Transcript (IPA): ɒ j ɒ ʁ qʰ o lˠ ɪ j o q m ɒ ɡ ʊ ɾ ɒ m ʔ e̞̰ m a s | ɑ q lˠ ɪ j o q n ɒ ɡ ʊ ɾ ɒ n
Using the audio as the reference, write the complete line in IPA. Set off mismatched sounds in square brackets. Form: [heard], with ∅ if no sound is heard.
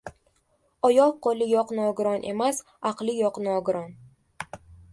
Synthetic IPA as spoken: ɒ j ɒ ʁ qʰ o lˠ ɪ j [ɒ] q [n] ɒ ɡ ʊ ɾ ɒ [n] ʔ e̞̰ m a s | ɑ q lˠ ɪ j [ɒ] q n ɒ ɡ ʊ ɾ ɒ n